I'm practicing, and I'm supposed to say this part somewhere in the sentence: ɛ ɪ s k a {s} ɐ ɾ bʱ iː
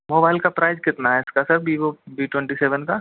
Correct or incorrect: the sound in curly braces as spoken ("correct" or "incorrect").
correct